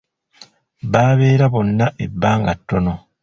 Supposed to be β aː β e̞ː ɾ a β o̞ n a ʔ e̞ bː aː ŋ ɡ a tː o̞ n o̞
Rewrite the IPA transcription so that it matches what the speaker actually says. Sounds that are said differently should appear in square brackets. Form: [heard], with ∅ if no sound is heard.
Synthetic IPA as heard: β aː β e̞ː ɾ a β o̞ [nː] a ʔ e̞ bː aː ŋ ɡ a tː o̞ n o̞